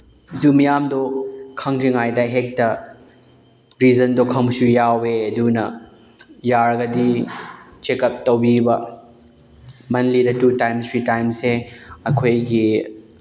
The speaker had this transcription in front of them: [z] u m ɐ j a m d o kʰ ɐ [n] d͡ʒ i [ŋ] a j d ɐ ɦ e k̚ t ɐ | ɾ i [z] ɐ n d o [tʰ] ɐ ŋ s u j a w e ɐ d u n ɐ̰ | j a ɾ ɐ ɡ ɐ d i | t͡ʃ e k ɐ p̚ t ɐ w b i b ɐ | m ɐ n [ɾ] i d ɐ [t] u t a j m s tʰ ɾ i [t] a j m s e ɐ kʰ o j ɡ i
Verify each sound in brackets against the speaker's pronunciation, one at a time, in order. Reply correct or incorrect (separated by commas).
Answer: correct, incorrect, correct, correct, incorrect, incorrect, correct, correct